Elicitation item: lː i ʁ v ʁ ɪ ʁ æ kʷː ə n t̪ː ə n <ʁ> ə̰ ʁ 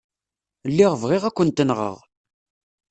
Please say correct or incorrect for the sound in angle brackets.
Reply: correct